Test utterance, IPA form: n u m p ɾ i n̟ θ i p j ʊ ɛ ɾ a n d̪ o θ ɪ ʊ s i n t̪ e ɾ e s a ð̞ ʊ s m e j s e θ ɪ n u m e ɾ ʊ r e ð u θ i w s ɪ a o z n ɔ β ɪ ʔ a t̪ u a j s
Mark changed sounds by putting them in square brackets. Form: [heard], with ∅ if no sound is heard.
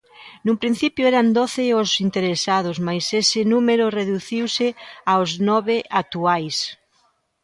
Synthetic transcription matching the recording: n u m p ɾ i n̟ θ i p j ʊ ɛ ɾ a n d̪ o θ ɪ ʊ s i n t̪ e ɾ e s a ð̞ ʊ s m [a] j s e [s] ɪ n u m e ɾ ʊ r e ð u θ i w s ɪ a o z n ɔ β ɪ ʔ a t̪ u a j s